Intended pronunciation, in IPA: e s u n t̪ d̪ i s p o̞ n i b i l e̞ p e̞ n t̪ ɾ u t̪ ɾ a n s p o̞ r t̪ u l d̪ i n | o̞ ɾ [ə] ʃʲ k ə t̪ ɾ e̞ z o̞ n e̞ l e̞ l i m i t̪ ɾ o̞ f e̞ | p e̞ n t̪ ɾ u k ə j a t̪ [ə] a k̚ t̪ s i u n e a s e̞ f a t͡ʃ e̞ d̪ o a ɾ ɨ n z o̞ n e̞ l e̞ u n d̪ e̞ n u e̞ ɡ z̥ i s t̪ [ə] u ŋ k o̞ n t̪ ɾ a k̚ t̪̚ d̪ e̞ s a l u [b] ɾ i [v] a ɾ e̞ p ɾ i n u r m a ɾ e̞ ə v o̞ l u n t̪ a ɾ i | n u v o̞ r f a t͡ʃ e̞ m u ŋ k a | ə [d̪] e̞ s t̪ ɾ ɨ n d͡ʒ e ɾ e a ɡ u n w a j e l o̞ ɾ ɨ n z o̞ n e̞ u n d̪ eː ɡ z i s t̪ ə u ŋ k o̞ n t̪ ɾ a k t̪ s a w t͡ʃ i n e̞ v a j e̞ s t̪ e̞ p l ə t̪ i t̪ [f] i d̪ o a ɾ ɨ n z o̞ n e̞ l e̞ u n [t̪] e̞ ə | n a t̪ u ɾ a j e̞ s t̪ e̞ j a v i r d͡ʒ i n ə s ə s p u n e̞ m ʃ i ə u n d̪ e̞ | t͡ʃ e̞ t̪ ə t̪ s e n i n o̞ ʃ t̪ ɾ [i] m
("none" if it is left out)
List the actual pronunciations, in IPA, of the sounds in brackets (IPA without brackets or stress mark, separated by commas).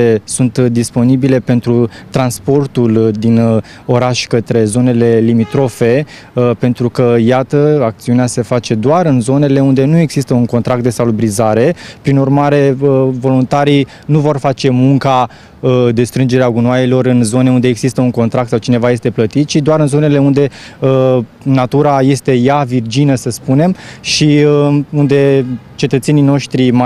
a, ə, ə, b, z, d̪, ʃ, d̪, i